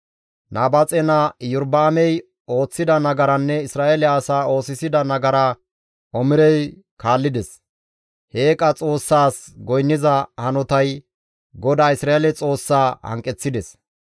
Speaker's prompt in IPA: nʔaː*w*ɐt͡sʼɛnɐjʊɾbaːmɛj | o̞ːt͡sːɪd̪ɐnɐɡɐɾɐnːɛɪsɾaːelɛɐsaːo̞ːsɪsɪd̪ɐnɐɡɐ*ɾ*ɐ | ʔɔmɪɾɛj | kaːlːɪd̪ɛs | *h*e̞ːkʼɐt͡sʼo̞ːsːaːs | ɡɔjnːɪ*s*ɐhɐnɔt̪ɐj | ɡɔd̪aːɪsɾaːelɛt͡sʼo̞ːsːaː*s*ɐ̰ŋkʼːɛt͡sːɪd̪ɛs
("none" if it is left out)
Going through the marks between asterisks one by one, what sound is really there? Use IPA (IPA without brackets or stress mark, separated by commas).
b, ɾ, h, z, h